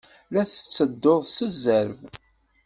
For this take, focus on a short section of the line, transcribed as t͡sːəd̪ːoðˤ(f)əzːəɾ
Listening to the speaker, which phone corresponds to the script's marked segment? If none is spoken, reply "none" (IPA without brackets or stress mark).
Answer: s